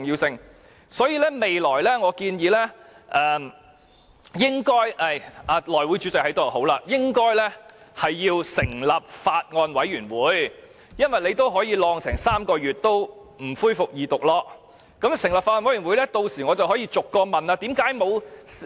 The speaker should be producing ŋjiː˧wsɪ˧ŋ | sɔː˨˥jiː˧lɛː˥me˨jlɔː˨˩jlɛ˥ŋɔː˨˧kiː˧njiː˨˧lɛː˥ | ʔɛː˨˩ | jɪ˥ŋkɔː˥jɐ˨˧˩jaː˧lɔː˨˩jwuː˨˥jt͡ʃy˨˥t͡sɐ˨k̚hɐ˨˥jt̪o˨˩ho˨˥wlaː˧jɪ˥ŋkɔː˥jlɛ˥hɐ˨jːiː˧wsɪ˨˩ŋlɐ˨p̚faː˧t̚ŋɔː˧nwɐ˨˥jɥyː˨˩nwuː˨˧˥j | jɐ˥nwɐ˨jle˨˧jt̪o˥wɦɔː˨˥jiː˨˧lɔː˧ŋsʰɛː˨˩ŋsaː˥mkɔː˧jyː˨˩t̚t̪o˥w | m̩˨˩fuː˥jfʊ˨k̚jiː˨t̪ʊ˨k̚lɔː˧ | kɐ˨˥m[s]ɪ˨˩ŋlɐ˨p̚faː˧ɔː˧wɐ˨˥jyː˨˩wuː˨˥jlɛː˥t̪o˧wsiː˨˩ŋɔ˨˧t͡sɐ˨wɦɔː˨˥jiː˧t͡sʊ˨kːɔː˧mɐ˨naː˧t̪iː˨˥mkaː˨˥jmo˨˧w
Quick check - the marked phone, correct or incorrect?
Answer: correct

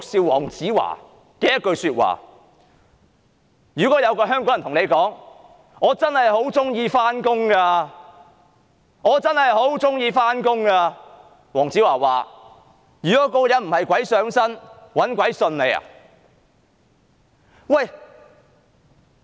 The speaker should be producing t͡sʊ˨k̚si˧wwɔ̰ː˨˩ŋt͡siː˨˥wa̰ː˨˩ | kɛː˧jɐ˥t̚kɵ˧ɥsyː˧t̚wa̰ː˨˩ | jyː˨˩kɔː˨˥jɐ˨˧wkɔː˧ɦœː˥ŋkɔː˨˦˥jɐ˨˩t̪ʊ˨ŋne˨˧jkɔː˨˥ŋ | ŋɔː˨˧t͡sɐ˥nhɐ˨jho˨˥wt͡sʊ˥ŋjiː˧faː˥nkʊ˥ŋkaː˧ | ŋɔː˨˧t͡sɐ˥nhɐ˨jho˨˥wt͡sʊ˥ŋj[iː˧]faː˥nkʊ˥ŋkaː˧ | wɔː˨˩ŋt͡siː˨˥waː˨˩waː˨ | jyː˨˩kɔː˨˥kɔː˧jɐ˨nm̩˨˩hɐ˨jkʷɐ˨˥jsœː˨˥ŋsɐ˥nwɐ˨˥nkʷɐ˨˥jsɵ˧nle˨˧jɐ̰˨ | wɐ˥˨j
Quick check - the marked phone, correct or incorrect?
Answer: correct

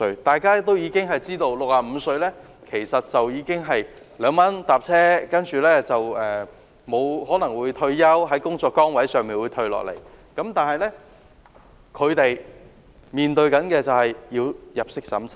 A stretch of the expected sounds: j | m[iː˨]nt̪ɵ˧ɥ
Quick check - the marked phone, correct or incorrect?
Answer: correct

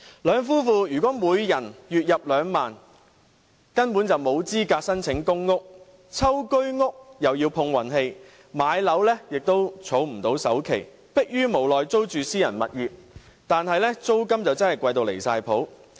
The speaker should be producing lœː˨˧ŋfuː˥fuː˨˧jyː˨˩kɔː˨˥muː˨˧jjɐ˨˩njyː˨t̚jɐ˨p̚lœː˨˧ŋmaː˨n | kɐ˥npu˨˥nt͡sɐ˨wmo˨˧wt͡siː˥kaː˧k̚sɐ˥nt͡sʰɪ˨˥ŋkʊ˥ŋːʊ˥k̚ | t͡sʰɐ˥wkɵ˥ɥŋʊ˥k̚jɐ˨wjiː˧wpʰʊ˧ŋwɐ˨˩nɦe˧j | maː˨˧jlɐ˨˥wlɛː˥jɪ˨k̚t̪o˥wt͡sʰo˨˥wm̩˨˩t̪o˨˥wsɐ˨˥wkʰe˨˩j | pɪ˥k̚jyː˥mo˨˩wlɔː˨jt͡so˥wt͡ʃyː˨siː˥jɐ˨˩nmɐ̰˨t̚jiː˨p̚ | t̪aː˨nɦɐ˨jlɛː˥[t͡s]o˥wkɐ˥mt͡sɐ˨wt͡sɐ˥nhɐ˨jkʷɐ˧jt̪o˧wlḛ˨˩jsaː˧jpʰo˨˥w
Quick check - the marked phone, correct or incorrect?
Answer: correct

